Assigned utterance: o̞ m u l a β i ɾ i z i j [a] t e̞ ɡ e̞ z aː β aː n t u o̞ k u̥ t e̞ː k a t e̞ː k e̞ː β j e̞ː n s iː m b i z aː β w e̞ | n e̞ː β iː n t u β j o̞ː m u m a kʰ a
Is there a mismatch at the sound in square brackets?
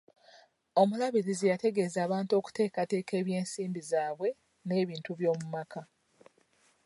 no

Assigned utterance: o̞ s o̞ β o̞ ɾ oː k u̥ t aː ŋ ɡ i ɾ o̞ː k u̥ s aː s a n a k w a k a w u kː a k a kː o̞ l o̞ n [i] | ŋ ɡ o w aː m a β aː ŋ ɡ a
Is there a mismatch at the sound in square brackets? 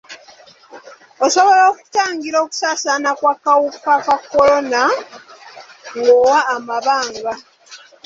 yes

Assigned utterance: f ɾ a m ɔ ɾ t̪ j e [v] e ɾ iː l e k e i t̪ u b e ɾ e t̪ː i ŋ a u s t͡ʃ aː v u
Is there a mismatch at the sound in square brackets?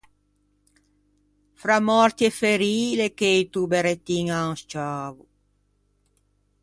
yes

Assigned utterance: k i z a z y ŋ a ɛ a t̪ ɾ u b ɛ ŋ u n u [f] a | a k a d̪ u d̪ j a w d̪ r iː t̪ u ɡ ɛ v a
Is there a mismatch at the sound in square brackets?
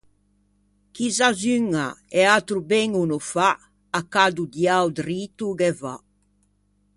no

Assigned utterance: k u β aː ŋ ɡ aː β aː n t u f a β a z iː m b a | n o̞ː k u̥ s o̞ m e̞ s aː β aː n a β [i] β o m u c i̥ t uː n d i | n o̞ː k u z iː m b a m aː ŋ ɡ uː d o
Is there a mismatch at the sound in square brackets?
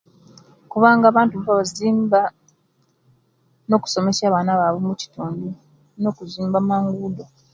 yes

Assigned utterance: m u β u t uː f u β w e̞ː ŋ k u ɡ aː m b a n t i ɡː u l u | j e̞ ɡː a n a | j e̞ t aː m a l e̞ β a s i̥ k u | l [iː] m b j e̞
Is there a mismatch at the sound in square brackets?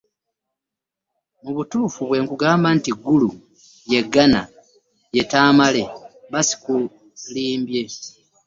no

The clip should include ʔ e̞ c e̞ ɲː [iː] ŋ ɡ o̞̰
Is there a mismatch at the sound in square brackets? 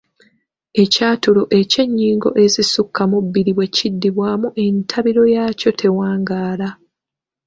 no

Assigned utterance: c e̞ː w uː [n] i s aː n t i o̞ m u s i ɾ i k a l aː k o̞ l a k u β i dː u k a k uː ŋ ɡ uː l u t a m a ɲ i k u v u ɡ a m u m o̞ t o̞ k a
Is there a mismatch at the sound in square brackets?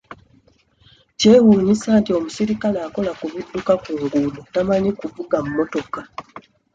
yes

